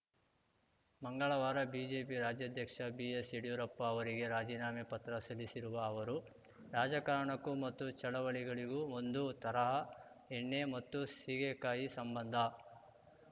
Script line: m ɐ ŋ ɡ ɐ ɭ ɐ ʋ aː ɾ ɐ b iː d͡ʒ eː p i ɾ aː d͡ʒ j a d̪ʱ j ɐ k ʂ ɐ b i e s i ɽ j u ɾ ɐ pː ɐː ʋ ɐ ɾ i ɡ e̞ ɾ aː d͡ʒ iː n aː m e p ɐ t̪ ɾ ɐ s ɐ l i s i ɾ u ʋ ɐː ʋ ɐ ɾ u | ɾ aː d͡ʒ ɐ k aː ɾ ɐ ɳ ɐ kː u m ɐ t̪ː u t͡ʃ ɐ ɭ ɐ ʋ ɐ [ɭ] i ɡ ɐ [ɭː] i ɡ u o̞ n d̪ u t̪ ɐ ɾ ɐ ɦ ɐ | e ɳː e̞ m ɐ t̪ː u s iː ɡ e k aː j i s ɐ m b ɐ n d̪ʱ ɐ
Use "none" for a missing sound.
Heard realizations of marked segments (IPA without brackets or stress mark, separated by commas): ɭ, ɭ